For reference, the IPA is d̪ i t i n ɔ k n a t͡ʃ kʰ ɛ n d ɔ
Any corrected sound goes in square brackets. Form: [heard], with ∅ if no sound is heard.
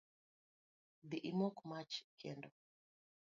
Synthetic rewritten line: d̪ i [ʔ] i [m] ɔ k [m] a t͡ʃ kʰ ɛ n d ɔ